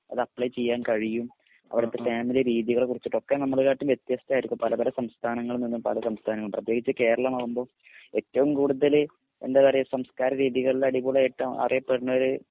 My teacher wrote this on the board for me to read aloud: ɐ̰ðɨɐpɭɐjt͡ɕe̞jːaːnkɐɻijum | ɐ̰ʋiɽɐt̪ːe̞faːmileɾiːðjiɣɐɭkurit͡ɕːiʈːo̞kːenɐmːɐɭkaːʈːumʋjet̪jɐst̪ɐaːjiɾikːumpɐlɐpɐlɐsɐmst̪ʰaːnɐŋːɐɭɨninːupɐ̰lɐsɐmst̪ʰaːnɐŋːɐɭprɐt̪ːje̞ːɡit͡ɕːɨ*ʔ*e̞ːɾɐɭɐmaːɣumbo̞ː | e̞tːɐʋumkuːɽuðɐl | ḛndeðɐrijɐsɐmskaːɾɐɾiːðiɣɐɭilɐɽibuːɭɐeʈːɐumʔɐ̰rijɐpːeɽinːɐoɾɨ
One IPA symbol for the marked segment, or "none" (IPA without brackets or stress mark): k